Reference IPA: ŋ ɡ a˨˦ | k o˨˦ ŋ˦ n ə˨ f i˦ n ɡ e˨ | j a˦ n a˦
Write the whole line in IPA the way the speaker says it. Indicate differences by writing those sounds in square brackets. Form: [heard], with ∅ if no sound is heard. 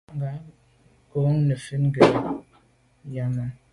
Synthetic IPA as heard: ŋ ɡ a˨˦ | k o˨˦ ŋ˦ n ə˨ f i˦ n ɡ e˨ | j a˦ [m] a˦